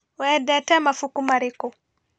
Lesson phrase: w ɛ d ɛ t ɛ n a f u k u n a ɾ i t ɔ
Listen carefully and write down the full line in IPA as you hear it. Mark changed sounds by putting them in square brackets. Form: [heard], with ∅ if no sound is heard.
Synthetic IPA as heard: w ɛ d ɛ t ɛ [m] a f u k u [m] a ɾ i [k] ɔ